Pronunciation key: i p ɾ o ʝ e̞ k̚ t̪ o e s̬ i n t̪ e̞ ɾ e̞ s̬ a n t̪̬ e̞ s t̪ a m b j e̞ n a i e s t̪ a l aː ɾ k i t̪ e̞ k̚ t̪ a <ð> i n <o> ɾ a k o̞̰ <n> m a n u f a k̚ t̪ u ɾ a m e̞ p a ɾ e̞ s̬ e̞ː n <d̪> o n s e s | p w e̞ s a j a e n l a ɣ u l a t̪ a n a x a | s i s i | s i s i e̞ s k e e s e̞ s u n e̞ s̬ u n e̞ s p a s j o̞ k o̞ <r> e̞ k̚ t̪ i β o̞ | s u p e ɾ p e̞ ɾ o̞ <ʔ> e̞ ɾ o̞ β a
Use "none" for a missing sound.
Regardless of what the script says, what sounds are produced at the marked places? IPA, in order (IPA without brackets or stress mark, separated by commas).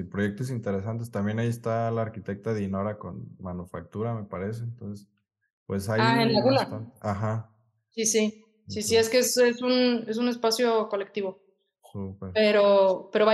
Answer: ð, o, n, t̪, l, p